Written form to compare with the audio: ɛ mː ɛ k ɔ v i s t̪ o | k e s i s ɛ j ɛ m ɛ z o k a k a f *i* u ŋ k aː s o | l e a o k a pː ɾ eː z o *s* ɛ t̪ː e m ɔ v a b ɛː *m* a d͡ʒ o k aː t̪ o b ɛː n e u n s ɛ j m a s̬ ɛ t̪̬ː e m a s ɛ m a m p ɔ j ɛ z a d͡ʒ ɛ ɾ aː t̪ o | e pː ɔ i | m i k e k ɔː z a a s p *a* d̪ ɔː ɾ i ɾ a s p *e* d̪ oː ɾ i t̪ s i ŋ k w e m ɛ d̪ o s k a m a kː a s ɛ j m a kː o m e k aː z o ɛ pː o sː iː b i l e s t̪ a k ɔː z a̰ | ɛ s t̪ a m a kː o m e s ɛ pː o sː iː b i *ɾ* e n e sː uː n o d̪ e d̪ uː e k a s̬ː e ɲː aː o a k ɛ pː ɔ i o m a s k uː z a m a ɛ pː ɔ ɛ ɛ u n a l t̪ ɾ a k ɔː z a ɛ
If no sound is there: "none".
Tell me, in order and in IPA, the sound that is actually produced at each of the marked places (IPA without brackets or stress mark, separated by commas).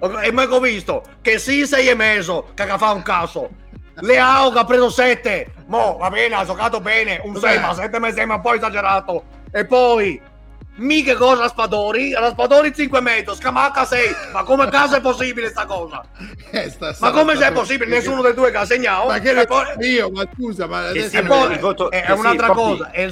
a, s, n, a, a, l